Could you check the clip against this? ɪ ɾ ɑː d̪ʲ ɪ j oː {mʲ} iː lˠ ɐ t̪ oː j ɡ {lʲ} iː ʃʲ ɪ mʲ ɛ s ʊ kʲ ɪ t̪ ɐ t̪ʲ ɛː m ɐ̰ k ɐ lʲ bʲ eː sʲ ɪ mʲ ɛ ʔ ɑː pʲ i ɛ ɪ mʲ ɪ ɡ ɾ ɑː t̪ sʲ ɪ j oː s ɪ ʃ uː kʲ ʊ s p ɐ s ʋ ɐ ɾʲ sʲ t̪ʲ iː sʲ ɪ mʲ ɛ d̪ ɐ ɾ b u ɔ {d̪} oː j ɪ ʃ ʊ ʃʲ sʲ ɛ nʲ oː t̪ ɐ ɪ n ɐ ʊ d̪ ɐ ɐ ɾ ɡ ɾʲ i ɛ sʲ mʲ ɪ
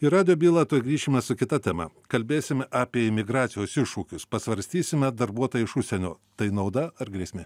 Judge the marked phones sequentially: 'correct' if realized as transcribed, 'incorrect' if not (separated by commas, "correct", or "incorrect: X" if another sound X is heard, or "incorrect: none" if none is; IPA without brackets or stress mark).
incorrect: bʲ, incorrect: ɾʲ, incorrect: t̪